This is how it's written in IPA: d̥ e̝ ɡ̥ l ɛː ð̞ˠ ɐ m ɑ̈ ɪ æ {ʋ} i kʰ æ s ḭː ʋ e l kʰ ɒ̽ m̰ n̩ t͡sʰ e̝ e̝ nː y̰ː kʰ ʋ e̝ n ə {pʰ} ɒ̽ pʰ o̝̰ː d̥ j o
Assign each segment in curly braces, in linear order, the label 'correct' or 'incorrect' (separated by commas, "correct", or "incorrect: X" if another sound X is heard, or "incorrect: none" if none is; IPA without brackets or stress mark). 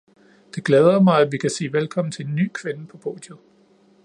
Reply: correct, correct